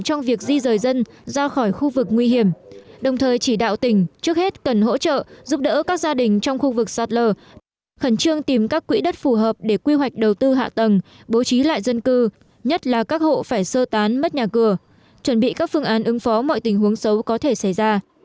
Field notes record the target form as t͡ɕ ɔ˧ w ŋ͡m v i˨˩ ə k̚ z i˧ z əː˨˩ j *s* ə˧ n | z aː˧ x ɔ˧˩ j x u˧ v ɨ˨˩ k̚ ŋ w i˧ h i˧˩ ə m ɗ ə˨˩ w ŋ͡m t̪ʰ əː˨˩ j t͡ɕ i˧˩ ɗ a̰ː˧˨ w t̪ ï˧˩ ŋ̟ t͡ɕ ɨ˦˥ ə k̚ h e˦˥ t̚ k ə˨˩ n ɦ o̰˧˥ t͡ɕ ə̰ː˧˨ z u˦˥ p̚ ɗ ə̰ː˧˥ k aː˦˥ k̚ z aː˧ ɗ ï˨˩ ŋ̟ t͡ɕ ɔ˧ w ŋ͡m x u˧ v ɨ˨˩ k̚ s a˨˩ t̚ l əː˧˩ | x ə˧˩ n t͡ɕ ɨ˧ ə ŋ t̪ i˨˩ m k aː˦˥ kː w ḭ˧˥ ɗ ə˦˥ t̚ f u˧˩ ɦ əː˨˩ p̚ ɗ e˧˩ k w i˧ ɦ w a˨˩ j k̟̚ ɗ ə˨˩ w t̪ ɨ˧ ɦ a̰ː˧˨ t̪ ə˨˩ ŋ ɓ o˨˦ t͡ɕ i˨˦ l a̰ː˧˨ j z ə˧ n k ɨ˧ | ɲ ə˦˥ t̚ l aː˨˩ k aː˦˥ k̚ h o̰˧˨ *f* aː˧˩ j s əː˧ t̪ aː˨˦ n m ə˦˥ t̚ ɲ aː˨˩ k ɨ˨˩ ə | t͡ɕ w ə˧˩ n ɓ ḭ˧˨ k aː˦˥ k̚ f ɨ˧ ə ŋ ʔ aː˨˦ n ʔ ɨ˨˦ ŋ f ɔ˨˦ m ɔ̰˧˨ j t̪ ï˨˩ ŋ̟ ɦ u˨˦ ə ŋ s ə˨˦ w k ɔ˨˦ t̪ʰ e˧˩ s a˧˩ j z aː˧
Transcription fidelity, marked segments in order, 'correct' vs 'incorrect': incorrect: z, correct

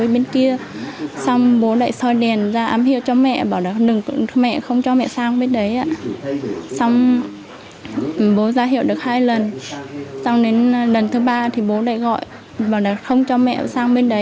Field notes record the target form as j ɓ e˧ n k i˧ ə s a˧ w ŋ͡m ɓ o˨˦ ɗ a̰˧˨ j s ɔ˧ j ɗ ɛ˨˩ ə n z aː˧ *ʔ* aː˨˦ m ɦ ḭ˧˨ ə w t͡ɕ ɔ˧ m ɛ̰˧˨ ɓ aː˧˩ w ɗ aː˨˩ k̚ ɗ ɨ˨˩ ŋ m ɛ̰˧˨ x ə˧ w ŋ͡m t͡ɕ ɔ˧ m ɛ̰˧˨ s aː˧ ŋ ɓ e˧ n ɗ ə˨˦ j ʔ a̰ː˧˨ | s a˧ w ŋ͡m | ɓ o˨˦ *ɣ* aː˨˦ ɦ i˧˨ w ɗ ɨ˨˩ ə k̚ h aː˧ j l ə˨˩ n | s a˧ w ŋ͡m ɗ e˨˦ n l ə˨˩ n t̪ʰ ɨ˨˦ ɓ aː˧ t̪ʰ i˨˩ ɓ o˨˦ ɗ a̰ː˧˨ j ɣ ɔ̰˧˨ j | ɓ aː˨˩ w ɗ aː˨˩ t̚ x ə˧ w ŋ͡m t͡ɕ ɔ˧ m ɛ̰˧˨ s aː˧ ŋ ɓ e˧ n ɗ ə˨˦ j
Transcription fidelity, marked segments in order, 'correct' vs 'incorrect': correct, incorrect: z

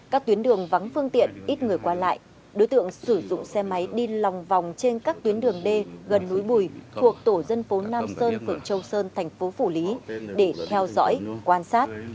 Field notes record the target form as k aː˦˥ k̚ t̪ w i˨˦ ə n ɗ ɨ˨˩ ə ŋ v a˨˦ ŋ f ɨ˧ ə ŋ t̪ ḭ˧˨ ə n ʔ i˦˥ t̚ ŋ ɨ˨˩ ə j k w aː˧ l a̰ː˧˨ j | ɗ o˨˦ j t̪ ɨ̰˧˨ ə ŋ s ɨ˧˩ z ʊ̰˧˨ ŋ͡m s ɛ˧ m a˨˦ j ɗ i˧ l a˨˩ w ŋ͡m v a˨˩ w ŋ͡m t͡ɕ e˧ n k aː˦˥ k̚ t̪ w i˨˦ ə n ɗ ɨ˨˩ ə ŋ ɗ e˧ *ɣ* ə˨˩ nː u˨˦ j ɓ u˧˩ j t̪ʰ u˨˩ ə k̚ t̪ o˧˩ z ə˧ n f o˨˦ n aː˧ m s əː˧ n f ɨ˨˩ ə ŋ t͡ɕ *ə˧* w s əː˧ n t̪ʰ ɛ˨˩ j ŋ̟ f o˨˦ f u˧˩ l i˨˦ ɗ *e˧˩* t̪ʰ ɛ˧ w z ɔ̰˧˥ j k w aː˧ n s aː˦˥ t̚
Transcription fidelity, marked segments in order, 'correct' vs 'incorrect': correct, correct, correct

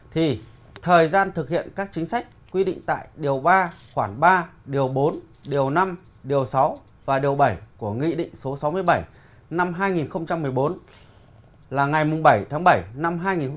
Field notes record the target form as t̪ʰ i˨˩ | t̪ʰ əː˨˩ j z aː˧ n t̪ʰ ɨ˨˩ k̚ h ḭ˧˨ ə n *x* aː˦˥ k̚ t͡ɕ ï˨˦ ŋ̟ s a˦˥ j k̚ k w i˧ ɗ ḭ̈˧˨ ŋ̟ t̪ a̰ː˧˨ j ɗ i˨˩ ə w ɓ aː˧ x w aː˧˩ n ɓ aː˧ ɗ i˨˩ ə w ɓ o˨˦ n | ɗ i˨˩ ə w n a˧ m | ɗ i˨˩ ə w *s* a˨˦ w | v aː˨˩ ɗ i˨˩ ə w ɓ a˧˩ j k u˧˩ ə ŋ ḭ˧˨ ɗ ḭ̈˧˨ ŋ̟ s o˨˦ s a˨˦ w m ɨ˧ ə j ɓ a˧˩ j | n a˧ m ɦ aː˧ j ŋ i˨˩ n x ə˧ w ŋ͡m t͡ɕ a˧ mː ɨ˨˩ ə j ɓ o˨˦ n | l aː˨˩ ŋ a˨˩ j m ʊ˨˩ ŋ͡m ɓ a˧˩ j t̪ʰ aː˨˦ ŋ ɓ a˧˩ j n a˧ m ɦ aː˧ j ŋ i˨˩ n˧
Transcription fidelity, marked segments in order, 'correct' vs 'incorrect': incorrect: k, correct

